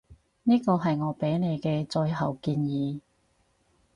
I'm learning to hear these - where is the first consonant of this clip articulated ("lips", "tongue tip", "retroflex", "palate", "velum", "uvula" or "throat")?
tongue tip